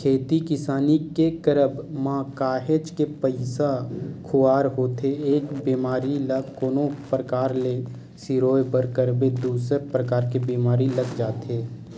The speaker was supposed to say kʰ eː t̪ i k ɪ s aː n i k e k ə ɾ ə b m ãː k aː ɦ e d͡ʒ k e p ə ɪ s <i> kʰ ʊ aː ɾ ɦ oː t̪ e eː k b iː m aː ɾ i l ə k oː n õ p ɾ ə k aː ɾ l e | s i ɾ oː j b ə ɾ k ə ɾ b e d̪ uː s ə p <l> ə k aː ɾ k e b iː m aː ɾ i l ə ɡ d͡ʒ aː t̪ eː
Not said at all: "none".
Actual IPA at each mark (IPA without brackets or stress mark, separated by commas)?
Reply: a, ɾ